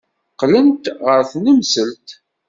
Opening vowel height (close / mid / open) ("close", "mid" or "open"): mid